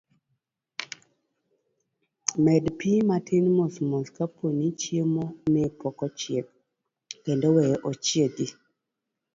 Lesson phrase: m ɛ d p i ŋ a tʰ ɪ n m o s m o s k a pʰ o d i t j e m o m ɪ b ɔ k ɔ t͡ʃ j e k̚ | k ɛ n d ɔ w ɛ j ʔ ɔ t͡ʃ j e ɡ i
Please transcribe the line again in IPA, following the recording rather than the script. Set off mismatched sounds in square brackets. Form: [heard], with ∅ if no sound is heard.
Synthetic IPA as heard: m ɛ d p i [m] a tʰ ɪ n m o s m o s k a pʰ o [n] i [t͡ʃ] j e m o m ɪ [p] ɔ k ɔ t͡ʃ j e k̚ | k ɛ n d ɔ w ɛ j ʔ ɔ t͡ʃ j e ɡ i